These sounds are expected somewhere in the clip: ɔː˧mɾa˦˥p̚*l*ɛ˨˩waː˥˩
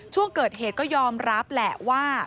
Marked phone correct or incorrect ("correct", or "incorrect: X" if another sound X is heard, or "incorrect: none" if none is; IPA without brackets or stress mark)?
correct